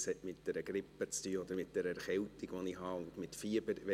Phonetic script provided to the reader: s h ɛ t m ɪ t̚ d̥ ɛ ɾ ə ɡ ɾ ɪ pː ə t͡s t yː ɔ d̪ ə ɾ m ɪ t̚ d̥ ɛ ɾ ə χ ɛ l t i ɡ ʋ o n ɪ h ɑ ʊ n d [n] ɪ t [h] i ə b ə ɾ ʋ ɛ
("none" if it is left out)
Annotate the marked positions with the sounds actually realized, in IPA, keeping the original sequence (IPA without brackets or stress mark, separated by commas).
m, f